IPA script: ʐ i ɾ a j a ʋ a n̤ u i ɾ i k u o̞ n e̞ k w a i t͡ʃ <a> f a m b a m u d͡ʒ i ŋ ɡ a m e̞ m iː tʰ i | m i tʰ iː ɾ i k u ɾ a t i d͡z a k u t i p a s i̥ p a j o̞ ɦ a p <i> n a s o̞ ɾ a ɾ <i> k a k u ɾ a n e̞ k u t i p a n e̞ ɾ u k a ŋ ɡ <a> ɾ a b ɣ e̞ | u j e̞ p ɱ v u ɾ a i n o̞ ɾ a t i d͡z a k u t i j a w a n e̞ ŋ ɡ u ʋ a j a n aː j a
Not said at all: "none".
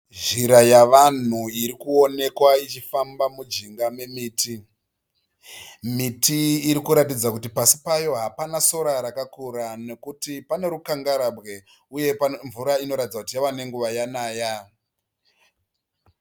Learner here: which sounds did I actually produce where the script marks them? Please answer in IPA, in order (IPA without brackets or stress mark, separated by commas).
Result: i, a, a, a